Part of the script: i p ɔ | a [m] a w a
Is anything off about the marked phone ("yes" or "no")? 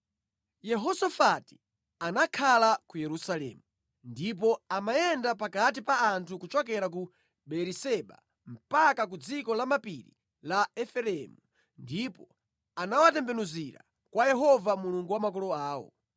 yes